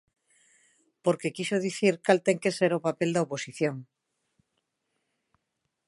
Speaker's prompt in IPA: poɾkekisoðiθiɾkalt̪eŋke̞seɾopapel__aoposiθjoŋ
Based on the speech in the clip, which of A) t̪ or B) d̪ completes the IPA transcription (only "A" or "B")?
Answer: B